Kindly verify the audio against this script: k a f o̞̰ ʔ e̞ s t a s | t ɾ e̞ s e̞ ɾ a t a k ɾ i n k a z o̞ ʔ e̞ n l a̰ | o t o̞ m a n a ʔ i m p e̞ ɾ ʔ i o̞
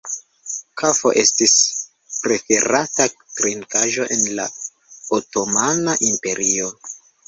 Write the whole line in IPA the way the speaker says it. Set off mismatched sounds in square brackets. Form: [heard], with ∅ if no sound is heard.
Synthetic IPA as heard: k a f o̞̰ ʔ e̞ s t [i] s | [p] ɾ e̞ [f] e̞ ɾ a t a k ɾ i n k a [ʒ] o̞ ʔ e̞ n l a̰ | o t o̞ m a n a ʔ i m p e̞ ɾ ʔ i o̞